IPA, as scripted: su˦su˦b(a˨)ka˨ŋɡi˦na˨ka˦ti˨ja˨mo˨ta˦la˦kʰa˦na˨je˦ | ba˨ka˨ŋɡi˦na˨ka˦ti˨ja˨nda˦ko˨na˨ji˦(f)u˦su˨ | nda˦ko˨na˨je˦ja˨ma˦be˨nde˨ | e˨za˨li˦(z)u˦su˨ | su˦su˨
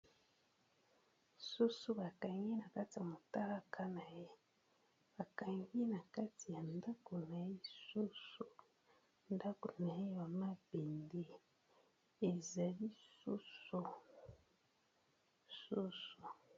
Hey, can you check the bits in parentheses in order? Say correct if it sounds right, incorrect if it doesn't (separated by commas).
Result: correct, incorrect, incorrect